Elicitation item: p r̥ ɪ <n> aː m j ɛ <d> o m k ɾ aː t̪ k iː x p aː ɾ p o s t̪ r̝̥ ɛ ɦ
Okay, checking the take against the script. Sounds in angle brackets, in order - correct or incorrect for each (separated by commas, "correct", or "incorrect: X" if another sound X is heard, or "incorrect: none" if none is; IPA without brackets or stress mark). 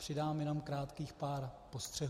incorrect: d, incorrect: n